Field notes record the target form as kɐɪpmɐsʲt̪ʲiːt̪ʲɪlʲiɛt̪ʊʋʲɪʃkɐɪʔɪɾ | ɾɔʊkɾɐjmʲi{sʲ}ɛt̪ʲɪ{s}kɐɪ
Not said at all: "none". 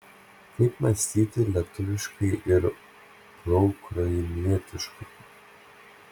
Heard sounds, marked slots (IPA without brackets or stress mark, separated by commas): none, ʃ